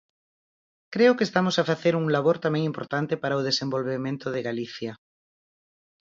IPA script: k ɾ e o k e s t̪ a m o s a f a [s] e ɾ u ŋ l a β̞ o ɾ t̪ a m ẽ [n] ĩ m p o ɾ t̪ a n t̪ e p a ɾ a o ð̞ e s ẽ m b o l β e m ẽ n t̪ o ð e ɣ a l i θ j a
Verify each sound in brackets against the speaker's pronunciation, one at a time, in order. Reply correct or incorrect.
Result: incorrect: θ, incorrect: ŋ

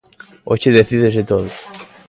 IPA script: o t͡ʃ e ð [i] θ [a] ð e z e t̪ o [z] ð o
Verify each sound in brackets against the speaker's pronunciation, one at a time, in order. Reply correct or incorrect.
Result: incorrect: e, incorrect: i, incorrect: none

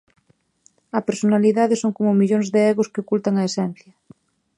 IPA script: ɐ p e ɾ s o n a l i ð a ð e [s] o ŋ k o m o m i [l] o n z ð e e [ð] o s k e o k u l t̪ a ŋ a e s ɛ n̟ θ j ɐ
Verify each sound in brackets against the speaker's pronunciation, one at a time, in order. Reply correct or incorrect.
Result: correct, incorrect: ʎ, incorrect: ɣ

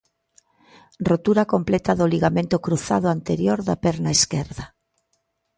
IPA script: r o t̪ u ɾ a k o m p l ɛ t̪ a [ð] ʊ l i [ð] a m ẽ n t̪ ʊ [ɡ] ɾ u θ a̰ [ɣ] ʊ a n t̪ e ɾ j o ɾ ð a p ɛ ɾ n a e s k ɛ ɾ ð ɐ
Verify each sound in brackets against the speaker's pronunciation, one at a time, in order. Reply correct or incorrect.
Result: correct, incorrect: ɣ, incorrect: k, incorrect: ð

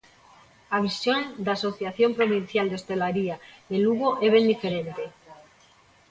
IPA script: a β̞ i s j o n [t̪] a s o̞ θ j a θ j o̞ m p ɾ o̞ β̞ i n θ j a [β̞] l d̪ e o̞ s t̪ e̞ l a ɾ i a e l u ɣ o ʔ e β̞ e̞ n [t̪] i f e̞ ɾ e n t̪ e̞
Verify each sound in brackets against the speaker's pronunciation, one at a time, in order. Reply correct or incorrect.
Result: incorrect: d̪, incorrect: none, incorrect: d̪

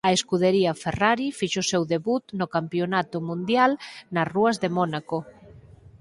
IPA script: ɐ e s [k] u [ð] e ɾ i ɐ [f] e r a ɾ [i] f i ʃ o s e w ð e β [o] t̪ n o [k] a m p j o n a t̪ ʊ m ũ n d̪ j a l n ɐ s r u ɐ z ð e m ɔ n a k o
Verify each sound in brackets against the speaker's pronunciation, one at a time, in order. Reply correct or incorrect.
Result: correct, correct, correct, correct, incorrect: u, correct

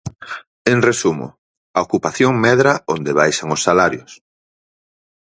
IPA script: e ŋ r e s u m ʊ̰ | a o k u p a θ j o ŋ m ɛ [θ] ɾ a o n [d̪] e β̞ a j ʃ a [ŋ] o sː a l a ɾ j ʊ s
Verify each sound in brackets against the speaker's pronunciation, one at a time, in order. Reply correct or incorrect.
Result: incorrect: ð, correct, correct

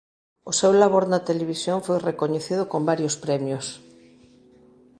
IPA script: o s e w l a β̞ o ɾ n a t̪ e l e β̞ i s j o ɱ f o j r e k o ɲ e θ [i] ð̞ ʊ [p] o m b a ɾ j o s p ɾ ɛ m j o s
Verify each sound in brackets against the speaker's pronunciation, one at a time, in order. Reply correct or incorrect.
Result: correct, incorrect: k

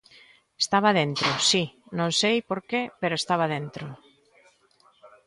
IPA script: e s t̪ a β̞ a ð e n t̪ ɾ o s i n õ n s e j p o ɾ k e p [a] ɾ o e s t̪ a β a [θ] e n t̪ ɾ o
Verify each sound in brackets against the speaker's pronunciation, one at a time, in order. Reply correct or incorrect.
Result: incorrect: e, incorrect: ð

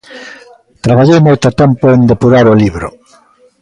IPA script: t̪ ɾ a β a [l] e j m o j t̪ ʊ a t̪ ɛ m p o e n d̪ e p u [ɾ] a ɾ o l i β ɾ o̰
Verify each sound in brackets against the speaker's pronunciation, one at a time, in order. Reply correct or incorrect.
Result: incorrect: ʎ, correct

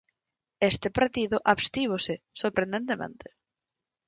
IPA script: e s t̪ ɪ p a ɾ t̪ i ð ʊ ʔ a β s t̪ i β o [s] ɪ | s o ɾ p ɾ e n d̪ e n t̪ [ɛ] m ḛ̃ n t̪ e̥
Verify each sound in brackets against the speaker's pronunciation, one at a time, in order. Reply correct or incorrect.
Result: correct, incorrect: e

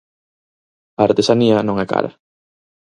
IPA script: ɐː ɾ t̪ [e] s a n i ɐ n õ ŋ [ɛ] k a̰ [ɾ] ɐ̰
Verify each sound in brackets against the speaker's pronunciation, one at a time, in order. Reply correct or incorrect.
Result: correct, correct, correct

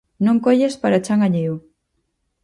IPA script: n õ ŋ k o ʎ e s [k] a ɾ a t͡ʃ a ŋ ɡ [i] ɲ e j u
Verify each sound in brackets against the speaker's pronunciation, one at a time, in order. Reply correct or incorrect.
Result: incorrect: p, incorrect: a

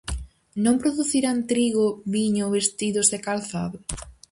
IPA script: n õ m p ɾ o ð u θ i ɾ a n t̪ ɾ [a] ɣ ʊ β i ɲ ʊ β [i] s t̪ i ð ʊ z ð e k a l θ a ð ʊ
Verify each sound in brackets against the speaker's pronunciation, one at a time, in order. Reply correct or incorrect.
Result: incorrect: i, incorrect: e

